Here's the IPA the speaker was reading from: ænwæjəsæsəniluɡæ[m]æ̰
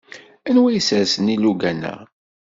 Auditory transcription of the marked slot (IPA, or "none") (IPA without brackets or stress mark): n